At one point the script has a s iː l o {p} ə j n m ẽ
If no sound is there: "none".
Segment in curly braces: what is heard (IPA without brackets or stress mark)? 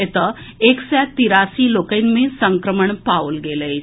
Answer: k